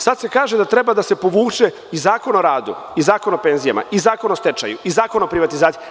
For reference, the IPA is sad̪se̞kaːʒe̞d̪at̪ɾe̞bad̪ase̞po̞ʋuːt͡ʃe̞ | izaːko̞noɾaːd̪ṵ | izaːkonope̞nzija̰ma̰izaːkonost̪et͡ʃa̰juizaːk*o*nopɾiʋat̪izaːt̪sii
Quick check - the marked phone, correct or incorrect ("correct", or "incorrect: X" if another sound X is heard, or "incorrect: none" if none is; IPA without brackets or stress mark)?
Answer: correct